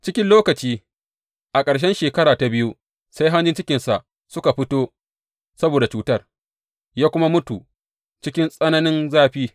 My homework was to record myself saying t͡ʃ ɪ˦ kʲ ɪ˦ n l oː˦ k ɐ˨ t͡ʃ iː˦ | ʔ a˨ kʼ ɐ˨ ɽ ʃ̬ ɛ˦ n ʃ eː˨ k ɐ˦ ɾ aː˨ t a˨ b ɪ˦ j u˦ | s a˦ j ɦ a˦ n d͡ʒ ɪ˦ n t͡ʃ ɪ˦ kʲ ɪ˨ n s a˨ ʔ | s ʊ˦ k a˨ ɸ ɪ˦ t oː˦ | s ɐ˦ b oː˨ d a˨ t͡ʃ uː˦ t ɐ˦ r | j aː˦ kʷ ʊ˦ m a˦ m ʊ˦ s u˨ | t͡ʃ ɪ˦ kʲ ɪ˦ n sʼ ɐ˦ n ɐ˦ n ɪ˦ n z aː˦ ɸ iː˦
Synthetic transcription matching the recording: t͡ʃ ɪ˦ kʲ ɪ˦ n l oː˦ k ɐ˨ t͡ʃ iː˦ | ʔ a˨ kʼ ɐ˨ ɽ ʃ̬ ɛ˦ n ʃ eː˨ k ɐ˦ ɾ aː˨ t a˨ b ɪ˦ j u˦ | s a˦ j ɦ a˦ n d͡ʒ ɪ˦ n t͡ʃ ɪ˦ kʲ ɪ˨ n s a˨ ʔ | s ʊ˦ k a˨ ɸ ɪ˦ t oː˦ | s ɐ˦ b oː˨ d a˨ t͡ʃ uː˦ t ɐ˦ r | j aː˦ kʷ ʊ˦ m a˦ m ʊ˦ t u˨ | t͡ʃ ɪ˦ kʲ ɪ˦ n sʼ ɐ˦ n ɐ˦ n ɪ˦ n z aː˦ ɸ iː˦